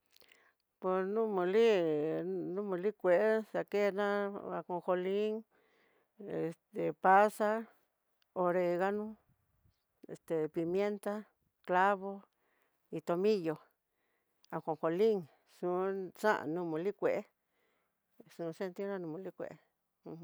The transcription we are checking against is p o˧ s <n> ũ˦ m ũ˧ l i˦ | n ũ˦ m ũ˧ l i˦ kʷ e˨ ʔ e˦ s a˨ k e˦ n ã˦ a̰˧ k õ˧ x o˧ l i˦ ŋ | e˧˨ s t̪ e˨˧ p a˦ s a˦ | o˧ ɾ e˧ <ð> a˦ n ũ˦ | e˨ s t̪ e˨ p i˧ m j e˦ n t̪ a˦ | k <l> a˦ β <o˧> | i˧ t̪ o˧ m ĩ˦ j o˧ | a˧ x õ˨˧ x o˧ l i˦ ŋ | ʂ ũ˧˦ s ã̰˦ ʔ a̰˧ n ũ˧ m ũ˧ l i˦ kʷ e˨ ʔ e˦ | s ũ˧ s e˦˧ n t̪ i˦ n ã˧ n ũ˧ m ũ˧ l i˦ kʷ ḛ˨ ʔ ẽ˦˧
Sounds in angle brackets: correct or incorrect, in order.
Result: correct, incorrect: ɣ, correct, correct

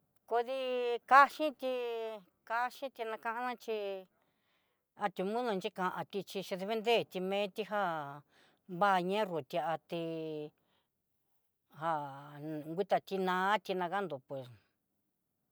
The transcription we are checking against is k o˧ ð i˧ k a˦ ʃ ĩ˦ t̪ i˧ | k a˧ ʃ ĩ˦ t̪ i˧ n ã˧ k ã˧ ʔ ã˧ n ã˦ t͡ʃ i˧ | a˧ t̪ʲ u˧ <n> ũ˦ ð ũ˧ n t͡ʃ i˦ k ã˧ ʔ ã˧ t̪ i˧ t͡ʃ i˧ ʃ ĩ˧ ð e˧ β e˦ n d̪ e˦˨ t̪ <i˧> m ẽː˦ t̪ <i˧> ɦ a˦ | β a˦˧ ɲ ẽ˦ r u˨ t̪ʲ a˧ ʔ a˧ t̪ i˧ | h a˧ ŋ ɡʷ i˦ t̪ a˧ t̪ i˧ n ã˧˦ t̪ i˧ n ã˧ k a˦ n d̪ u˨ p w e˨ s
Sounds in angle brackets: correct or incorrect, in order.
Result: incorrect: m, correct, correct

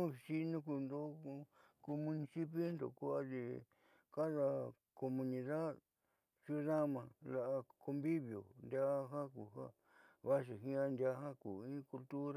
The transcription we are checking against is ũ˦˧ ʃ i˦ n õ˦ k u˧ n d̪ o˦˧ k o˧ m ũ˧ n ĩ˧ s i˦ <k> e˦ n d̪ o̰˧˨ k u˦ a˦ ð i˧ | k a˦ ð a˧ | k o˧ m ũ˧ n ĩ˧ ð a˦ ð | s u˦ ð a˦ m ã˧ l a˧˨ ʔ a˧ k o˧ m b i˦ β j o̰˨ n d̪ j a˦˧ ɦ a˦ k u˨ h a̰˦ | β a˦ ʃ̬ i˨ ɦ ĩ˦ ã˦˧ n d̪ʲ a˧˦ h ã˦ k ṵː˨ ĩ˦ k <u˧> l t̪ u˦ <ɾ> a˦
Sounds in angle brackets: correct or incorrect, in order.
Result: incorrect: p, correct, correct

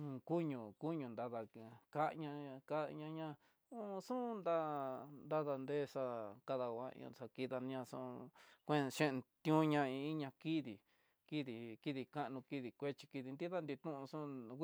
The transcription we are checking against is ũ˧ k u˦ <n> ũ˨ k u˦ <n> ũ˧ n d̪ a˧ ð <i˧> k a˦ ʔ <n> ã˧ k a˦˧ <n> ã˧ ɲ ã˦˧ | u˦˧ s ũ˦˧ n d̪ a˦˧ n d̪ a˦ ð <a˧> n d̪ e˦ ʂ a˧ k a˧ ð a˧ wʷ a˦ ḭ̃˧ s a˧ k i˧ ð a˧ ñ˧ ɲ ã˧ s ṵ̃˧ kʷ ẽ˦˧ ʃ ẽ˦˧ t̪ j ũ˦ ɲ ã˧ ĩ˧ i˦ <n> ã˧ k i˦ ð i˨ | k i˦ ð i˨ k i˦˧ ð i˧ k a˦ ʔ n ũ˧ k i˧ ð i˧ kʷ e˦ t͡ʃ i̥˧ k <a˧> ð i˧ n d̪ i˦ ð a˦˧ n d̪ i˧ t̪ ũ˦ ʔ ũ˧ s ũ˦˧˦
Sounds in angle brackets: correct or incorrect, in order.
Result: incorrect: ɲ, incorrect: ɲ, incorrect: a˧, incorrect: ɲ, incorrect: ɲ, correct, incorrect: ɲ, incorrect: i˧

